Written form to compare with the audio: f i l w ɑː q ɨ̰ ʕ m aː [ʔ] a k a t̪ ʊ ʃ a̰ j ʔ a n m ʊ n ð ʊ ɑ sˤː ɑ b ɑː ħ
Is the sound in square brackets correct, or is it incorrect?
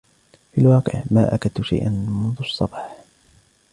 correct